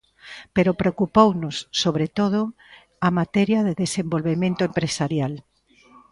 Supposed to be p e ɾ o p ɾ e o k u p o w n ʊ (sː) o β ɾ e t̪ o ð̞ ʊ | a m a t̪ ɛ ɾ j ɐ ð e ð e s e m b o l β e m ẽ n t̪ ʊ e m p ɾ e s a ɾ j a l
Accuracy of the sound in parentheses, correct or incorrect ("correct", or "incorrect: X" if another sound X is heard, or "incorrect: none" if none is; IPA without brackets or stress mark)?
correct